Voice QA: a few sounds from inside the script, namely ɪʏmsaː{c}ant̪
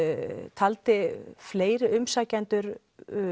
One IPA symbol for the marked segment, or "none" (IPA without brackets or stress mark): c